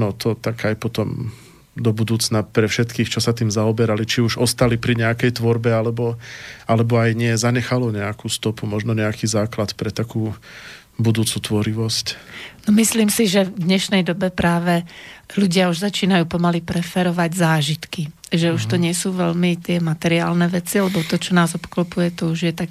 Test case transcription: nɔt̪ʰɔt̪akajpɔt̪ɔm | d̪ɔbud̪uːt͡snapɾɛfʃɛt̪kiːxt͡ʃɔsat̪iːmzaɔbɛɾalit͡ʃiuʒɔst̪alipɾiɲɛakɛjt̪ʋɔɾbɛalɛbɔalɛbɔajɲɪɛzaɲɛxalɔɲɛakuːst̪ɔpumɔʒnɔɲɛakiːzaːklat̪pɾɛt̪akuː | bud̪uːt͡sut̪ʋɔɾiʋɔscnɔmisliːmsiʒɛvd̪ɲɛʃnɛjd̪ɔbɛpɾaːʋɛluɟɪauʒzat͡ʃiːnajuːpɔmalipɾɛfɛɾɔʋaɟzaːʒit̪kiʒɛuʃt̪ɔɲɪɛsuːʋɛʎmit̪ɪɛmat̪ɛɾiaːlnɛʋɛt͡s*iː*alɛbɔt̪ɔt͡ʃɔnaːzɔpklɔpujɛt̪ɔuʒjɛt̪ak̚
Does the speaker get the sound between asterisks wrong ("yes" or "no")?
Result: yes